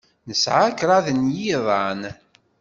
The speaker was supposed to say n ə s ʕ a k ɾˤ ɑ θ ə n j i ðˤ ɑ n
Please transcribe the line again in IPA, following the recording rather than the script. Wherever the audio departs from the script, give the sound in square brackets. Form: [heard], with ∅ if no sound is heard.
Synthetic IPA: n ə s ʕ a k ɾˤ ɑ [ð] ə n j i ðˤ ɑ n